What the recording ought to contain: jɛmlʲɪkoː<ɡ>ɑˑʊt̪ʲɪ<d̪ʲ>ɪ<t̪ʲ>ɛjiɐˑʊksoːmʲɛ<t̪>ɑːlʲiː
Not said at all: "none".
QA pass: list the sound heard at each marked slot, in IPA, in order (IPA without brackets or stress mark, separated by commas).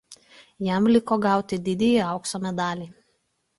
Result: ɡ, d̪ʲ, d̪ʲ, d̪